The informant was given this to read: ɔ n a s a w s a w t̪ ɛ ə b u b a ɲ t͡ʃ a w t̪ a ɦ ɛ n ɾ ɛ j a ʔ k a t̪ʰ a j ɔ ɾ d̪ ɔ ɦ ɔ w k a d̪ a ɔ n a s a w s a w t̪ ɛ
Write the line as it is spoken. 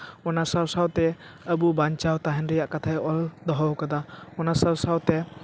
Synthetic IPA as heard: ɔ n a s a w s a w t̪ ɛ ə b u b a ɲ t͡ʃ a w t̪ a ɦ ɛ n ɾ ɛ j a ʔ k a t̪ʰ a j ɔ l d̪ ɔ ɦ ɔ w k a d̪ a ɔ n a s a w s a w t̪ ɛ